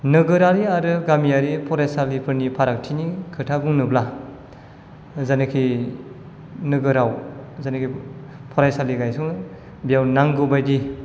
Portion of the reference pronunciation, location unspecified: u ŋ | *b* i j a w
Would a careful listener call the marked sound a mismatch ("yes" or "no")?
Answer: no